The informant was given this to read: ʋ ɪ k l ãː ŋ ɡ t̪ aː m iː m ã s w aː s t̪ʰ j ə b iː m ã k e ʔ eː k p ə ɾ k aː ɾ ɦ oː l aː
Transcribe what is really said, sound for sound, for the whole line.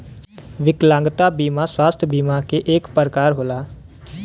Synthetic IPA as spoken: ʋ ɪ k l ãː ŋ ɡ t̪ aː b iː m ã s w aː s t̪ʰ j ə b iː m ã k e ʔ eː k p ə ɾ k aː ɾ ɦ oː l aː

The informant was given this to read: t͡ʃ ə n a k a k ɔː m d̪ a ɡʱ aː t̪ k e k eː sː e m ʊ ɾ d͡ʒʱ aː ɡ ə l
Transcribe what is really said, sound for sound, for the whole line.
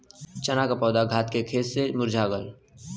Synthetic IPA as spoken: t͡ʃ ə n a k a p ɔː d̪ a ɡʱ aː t̪ k e kʰ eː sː e m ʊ ɾ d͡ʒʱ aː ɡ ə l

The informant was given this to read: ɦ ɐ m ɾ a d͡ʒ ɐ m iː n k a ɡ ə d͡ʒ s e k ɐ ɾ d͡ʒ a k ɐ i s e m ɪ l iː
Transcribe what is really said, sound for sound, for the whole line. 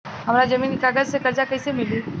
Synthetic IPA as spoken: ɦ ɐ m ɾ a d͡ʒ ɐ m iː n k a ɡ ə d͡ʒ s e k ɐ ɾ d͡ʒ a k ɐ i s e m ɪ l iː

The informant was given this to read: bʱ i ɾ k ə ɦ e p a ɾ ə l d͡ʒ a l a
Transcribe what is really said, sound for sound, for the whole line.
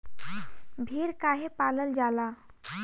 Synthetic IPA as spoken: bʱ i ɾ k a ɦ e p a l ə l d͡ʒ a l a

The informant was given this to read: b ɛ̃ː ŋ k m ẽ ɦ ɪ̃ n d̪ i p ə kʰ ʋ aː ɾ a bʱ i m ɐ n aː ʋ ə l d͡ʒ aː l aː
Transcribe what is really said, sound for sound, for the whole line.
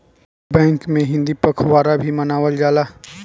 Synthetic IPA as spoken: b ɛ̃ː ŋ k m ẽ ɦ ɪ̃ n d̪ i p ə kʰ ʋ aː ɾ a bʱ i m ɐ n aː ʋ ə l d͡ʒ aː l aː

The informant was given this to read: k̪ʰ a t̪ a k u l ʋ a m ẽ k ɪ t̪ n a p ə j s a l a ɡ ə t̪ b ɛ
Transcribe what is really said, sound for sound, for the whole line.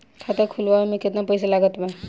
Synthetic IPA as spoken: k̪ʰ a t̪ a kʰ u l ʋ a m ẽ k ɪ t̪ n a p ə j s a l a ɡ ə t̪ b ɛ

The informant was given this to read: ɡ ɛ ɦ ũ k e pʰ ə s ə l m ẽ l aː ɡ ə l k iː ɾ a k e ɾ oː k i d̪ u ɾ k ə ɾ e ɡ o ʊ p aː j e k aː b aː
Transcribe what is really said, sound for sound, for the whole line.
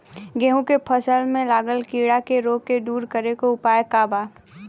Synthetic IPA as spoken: ɡ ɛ ɦ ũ k e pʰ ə s ə l m ẽ l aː ɡ ə l k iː ɽ a k e ɾ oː k e d̪ uː ɾ k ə ɾ e k o ʊ p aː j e k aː b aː

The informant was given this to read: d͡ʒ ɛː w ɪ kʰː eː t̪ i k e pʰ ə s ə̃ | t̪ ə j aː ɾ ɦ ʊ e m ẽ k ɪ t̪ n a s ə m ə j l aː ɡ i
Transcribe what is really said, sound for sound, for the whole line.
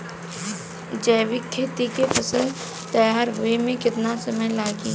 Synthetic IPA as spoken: d͡ʒ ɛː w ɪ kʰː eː t̪ i k e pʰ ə s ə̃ | t̪ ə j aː ɾ ɦ ʊ e m ẽ k ɪ t̪ n a s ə m ə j l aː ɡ i

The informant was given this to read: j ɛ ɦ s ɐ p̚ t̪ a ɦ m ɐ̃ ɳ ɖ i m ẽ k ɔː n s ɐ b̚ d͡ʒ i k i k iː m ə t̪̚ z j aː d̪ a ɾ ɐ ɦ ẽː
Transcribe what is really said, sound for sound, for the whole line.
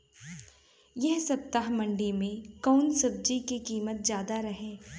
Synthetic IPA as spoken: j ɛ ɦ s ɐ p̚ t̪ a ɦ m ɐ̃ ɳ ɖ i m ẽ k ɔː n s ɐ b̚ d͡ʒ i k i k iː m ə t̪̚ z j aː d̪ a ɾ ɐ ɦ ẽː

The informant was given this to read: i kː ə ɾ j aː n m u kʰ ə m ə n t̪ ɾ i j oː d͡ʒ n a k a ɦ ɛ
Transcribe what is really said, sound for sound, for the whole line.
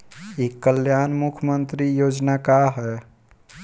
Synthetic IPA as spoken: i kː ə l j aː n m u kʰ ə m ə n t̪ ɾ i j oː d͡ʒ n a k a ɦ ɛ

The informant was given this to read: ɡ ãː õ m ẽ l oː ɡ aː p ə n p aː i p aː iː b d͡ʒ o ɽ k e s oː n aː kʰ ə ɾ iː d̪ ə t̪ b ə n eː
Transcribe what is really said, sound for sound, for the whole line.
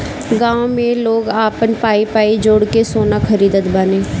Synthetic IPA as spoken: ɡ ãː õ m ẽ l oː ɡ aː p ə n p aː i p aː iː d͡ʒ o ɽ k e s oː n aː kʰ ə ɾ iː d̪ ə t̪ b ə n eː

